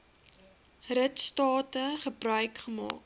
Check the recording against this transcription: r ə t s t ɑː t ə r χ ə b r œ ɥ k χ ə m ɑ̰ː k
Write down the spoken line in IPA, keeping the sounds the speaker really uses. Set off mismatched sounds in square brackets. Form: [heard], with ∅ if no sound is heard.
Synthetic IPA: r ə t s t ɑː t ə [∅] χ ə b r œ ɥ k χ ə m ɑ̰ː k